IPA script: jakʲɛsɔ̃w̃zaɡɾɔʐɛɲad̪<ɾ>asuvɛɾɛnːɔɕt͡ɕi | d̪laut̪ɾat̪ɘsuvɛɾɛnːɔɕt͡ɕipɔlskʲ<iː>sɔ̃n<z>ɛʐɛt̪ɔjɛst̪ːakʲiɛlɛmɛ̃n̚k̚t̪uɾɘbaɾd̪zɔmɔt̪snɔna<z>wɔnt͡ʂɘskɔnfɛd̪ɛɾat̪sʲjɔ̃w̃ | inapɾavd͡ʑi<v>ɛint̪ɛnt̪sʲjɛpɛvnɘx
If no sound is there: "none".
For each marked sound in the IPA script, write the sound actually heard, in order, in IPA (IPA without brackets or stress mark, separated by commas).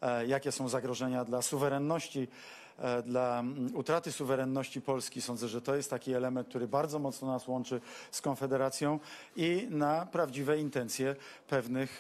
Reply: l, i, z, s, v